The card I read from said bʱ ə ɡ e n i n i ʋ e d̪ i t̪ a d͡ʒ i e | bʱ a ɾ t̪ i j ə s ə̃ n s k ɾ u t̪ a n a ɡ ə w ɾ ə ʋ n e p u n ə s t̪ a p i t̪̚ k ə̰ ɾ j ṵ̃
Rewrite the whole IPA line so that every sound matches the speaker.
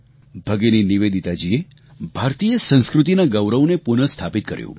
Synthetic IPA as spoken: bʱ ə ɡ e n i n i ʋ e d̪ i t̪ a d͡ʒ i e | bʱ a ɾ t̪ i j ə s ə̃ n s k ɾ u t̪ i n a ɡ ə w ɾ ə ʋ n e p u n ə s t̪ʰ a p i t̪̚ k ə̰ ɾ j ṵ̃